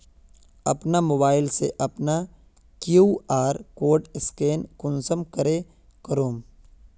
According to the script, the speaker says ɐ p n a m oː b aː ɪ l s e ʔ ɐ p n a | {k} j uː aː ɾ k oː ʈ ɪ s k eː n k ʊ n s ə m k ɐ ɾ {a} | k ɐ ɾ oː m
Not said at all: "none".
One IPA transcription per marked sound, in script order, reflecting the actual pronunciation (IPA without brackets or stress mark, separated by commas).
k, e